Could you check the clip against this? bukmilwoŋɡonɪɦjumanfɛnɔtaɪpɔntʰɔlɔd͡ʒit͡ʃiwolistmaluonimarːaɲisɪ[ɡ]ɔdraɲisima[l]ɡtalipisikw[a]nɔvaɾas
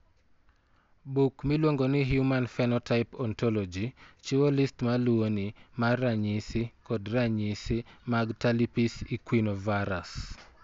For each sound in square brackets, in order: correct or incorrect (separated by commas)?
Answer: incorrect, incorrect, incorrect